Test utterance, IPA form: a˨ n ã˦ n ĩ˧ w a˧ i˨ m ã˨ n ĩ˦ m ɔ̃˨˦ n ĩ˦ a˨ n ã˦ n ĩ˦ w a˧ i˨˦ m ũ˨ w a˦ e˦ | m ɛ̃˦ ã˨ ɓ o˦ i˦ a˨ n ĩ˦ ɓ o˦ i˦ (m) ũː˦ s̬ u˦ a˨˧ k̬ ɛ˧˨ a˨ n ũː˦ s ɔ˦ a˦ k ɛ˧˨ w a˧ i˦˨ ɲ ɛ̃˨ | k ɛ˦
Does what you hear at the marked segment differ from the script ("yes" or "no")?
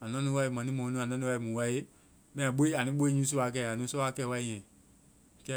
yes